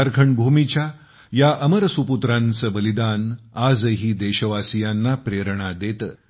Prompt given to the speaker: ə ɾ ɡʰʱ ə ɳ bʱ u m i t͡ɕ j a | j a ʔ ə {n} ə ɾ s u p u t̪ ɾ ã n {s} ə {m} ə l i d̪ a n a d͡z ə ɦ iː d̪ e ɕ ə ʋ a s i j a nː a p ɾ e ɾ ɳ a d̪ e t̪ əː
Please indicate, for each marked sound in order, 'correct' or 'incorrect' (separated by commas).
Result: incorrect, incorrect, incorrect